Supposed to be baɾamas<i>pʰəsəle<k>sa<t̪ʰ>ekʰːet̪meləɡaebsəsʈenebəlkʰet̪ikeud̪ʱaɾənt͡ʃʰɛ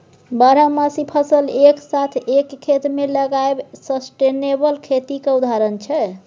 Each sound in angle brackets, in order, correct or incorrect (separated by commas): correct, correct, correct